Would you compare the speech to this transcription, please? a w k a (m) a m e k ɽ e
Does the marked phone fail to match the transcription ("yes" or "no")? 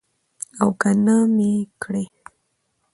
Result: yes